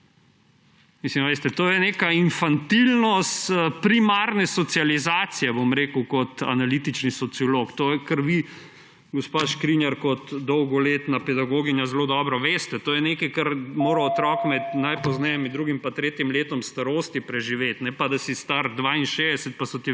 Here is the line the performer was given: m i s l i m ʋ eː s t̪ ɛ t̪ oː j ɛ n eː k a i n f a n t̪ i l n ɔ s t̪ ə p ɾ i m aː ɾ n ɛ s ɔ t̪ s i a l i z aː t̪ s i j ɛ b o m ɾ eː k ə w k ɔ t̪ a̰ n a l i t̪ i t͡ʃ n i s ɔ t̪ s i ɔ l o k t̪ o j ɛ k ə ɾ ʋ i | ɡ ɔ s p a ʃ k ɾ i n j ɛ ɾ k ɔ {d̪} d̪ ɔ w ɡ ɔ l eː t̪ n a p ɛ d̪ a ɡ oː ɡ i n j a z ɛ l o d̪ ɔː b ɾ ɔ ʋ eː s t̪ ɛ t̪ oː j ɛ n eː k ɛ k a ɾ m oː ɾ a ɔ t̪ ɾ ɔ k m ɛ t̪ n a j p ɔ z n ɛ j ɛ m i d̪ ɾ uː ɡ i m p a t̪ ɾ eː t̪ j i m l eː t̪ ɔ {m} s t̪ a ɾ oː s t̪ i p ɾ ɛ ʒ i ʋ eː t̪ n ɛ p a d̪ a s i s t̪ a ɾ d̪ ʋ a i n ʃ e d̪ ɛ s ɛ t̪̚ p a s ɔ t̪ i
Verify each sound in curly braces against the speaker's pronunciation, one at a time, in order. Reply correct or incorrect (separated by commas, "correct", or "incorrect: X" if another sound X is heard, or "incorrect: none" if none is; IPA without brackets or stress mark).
incorrect: t̪, correct